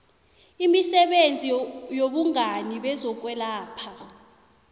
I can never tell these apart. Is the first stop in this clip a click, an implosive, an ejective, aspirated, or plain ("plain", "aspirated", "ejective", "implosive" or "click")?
implosive